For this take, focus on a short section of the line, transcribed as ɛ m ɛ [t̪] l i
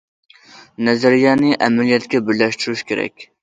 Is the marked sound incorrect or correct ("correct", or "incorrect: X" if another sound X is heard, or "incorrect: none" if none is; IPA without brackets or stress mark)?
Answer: incorrect: none